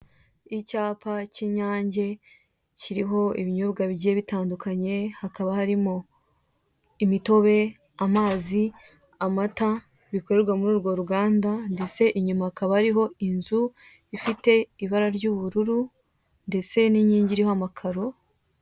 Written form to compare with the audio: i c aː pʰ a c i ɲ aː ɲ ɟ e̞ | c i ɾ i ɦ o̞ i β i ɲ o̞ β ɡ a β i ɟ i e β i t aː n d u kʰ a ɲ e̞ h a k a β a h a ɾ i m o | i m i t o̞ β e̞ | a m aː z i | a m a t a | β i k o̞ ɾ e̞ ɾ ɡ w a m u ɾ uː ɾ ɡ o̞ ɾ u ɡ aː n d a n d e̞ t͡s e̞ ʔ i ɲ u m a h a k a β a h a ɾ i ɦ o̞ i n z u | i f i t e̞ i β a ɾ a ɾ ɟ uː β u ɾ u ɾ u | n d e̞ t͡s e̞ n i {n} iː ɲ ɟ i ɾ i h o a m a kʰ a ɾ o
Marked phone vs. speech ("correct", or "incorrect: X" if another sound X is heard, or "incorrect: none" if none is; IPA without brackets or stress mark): incorrect: ɲ